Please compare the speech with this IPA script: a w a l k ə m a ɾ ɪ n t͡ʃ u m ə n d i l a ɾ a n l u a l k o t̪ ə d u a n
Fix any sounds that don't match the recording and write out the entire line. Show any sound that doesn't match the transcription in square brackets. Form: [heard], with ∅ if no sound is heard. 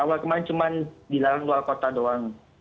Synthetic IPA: a w a l k ə m a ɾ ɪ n t͡ʃ u m [a] n d i l a ɾ a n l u a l k o t̪ [a] d [o] a [ŋ]